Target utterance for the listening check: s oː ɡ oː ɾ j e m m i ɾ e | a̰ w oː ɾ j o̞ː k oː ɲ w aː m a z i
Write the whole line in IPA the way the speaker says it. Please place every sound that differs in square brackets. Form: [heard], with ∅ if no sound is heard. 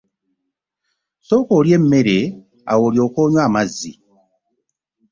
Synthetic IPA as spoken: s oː [k] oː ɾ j e m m [e] ɾ e | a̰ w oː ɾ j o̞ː k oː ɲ w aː m a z i